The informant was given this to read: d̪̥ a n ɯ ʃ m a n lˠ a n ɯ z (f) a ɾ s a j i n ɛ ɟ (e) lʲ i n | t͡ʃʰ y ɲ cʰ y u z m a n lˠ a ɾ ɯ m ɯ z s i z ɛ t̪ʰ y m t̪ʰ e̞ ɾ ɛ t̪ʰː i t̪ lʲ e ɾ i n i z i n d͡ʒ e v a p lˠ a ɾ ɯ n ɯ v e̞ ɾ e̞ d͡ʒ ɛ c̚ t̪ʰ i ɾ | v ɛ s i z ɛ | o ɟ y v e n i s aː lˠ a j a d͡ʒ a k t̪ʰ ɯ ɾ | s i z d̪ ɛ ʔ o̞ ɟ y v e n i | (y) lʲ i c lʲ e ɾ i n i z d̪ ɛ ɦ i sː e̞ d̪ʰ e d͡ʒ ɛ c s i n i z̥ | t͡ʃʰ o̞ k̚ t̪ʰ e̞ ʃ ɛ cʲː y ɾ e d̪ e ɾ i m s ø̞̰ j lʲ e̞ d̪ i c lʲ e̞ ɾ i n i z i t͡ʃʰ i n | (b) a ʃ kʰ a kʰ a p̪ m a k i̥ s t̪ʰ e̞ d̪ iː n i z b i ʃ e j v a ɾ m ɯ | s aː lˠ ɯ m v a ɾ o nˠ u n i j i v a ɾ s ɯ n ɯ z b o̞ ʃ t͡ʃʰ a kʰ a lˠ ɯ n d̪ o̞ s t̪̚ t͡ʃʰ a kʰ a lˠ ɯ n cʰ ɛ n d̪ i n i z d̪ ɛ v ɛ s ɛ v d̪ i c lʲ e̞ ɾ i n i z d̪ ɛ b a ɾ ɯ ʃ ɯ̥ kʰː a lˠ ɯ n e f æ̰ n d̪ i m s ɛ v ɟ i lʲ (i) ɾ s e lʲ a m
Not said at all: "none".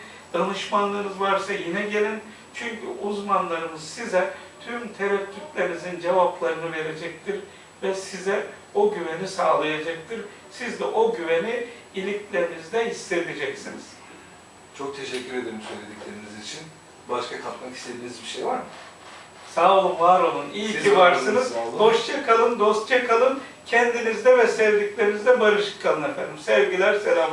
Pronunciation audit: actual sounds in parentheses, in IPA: v, e, i, b, æ

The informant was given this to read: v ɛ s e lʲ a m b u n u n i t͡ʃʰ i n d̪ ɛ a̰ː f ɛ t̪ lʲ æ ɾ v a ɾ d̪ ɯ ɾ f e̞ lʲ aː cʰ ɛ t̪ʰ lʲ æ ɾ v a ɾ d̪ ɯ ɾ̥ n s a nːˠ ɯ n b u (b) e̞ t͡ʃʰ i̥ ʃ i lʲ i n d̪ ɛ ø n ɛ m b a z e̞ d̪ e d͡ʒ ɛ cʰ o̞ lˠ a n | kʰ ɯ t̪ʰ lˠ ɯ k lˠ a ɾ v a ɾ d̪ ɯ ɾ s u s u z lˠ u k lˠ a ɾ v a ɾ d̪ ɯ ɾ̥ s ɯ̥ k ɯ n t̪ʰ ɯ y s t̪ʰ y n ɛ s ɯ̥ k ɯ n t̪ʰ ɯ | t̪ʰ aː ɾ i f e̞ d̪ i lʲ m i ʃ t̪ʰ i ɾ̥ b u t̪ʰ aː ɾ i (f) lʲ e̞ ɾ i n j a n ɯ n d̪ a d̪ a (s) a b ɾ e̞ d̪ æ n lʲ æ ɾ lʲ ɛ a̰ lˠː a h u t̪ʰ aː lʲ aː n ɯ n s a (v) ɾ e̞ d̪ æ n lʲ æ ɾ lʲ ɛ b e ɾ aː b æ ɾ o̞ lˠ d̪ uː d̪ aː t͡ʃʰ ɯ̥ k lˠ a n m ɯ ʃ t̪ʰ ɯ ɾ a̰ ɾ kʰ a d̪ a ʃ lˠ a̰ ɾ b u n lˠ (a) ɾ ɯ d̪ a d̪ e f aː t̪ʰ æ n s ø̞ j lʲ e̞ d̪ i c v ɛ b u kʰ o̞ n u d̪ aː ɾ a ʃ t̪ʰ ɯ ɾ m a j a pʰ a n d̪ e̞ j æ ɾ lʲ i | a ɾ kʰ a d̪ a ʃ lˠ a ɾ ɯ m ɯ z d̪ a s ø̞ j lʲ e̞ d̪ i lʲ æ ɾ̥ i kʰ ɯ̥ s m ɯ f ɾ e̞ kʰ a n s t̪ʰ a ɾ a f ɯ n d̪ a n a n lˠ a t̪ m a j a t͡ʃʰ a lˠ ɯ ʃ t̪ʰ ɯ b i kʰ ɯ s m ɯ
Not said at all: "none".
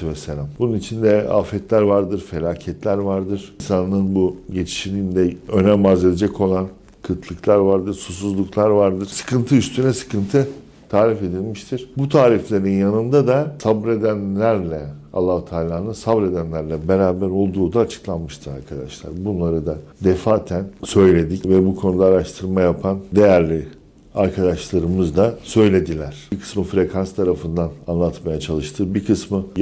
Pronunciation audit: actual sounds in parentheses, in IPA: ɟ, f, s, b, a

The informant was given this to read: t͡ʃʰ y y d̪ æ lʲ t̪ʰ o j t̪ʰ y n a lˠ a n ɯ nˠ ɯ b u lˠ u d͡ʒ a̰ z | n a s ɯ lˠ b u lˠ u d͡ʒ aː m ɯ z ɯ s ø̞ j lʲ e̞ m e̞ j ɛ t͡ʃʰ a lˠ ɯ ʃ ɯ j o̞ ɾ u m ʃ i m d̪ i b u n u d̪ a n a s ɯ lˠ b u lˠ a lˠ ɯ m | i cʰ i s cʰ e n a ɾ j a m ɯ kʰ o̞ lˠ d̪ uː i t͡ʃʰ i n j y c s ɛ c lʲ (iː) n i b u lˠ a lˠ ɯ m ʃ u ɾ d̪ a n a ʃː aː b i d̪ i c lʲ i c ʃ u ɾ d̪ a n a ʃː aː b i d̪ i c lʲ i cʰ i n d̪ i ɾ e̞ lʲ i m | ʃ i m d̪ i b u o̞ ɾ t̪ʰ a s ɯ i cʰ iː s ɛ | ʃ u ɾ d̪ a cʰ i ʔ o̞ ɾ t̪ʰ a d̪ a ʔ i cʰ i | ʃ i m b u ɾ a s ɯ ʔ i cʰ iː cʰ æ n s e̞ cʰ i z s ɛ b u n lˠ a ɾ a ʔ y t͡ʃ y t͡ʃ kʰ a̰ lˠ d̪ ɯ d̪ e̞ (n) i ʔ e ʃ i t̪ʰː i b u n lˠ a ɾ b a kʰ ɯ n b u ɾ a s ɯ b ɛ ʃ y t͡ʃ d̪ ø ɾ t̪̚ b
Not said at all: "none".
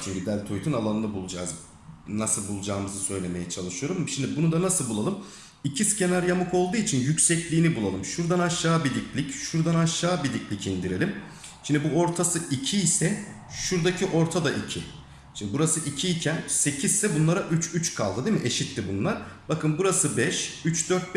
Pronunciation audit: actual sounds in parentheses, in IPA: iː, m

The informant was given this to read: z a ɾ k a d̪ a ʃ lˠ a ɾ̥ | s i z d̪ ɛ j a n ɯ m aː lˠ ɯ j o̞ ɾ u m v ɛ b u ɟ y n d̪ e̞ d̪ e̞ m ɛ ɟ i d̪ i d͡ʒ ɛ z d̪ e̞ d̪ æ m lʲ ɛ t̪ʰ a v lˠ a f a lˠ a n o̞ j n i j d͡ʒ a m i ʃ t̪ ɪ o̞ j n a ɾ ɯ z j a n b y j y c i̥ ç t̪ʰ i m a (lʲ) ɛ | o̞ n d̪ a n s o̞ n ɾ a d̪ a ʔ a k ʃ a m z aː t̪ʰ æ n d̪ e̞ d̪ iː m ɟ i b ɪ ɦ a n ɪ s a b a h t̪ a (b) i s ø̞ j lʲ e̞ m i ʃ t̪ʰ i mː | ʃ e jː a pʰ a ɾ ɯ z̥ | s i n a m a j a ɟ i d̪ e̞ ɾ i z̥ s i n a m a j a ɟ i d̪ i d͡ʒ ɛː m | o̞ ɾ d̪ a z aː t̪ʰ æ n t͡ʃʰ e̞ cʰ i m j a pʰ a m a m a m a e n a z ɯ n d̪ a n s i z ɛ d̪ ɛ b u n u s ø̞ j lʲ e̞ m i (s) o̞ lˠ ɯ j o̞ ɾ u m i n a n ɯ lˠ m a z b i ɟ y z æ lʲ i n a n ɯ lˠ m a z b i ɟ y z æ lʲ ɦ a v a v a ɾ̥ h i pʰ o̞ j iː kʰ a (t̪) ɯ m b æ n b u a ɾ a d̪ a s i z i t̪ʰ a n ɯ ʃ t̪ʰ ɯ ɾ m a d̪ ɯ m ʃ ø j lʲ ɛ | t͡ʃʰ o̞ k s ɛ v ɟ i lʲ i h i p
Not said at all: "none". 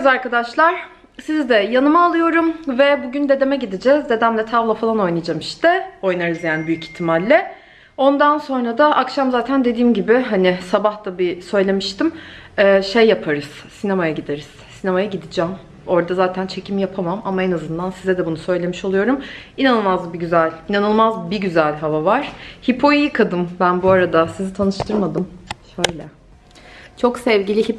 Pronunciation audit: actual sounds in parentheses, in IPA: lʲː, b, ʃ, d̪

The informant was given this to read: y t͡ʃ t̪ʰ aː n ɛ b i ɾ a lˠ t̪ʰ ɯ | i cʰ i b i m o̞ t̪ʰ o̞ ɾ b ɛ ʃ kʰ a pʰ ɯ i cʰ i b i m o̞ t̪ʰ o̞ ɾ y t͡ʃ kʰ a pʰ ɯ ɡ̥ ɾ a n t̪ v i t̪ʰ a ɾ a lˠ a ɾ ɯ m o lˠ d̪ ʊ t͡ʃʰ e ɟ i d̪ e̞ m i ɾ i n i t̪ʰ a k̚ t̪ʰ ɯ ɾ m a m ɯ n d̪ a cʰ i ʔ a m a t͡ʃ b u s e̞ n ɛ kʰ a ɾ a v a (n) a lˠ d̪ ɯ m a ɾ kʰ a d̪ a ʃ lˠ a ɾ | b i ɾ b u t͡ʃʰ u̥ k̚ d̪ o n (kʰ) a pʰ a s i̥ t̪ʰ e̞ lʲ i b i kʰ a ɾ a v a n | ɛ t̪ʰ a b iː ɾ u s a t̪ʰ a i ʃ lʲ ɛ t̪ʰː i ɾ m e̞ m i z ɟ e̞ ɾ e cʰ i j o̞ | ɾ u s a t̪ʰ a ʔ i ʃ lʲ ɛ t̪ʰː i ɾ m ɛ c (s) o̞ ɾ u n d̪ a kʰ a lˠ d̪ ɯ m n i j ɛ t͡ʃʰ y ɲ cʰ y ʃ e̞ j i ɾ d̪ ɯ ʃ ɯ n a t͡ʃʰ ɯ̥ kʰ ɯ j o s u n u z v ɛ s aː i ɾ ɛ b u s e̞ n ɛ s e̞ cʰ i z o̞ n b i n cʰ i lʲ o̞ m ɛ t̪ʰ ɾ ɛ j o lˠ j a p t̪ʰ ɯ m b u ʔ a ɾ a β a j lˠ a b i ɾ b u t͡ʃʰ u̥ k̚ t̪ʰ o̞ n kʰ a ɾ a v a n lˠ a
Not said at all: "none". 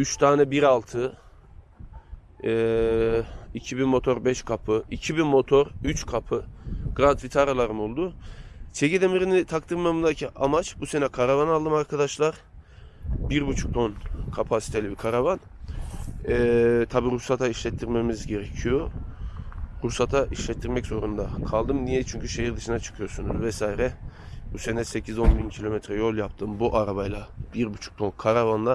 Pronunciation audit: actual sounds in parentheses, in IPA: n, kʰ, z

